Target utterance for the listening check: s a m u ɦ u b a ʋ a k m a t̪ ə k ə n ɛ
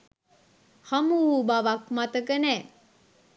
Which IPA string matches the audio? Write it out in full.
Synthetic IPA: h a m u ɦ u b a ʋ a k m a t̪ ə k ə n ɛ